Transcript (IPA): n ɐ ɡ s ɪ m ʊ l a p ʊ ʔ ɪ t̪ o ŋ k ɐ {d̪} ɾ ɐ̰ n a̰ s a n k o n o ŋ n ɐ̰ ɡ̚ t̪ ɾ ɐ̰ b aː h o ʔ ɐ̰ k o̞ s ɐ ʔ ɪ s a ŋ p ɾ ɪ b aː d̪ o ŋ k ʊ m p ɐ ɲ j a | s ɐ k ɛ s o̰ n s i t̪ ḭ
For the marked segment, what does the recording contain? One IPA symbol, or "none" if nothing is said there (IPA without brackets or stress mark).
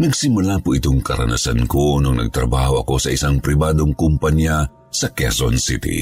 none